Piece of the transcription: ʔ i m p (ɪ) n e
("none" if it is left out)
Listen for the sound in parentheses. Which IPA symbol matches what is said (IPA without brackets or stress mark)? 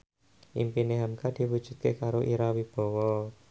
i